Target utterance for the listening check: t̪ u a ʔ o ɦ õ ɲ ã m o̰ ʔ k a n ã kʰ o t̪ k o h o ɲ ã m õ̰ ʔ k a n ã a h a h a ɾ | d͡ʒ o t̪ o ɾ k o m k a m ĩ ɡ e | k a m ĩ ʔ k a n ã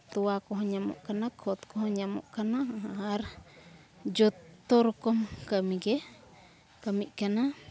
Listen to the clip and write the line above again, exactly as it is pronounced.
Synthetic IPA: t̪ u a k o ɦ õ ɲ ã m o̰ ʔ k a n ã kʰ o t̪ k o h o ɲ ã m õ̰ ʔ k a n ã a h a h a ɾ | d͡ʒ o t̪ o ɾ k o m k a m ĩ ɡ e | k a m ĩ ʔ k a n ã